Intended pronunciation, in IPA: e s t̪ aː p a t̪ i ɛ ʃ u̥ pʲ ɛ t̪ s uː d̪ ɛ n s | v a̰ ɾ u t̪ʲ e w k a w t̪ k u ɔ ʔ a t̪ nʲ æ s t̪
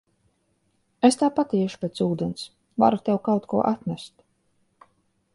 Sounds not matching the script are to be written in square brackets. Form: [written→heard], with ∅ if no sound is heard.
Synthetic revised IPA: e s t̪ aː p a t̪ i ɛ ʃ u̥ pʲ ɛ t̪ s uː d̪ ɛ n s | v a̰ ɾ u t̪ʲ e w k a w t̪ k u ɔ ʔ a t̪ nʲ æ s t̪